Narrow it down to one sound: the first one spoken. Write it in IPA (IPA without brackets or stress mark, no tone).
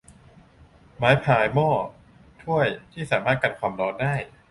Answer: m